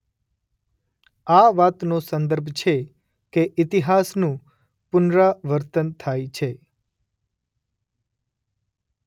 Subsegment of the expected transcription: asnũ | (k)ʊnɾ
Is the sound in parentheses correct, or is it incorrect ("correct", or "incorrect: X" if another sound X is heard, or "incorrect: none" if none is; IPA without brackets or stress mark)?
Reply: incorrect: p